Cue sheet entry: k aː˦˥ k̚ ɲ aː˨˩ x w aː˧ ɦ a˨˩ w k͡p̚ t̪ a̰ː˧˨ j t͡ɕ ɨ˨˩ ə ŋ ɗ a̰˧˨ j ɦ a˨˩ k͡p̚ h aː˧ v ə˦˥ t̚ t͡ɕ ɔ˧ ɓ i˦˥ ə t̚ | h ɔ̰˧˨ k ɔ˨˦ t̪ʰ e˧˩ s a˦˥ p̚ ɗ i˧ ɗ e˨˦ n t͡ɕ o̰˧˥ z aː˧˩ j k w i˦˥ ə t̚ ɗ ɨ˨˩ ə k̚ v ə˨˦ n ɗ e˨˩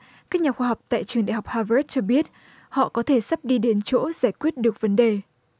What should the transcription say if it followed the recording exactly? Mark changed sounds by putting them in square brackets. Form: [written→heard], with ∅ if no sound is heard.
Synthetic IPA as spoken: k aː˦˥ k̚ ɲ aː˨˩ x w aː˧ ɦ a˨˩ w k͡p̚ t̪ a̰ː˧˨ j t͡ɕ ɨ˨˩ ə ŋ ɗ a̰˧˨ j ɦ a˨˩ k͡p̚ h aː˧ v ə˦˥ t̚ t͡ɕ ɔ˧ ɓ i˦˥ ə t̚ | h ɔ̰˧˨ k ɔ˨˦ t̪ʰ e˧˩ s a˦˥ p̚ ɗ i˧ ɗ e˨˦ n t͡ɕ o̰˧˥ z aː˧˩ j k w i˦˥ ə t̚ ɗ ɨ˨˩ ə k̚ v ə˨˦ n ɗ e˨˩